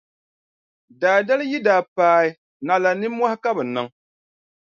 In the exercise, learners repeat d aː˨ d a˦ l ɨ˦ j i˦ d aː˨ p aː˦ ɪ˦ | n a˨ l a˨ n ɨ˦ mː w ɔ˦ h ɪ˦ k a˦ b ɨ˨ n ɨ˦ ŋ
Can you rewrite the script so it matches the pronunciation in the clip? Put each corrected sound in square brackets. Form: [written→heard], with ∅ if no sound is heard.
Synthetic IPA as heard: d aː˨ d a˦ l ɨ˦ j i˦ d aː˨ p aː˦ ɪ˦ | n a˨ l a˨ n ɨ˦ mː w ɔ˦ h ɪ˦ k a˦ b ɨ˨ n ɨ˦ ŋ